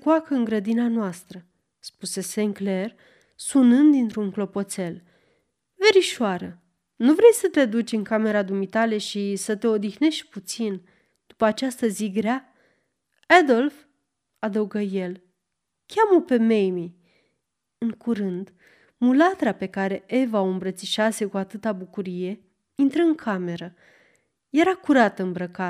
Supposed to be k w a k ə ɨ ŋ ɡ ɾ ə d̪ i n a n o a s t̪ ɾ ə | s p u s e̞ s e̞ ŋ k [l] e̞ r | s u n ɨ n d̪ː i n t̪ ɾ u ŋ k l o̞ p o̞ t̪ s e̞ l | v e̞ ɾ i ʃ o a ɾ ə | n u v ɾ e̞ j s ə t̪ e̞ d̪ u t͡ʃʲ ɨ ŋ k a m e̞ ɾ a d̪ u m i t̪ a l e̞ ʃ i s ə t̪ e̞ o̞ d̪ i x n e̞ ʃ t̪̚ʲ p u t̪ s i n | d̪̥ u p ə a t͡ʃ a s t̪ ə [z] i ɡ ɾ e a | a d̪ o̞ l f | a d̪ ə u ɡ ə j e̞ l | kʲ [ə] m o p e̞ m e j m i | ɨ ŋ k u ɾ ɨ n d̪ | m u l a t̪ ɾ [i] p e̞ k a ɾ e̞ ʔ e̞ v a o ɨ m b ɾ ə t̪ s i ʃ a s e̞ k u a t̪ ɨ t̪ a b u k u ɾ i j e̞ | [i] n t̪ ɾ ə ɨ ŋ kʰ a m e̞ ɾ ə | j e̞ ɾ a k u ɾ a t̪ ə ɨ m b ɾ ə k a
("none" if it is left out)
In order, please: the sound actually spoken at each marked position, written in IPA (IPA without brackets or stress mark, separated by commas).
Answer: l, z, a, a, i